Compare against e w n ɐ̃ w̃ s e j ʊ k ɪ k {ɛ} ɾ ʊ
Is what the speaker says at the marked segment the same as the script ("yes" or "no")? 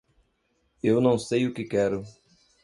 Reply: yes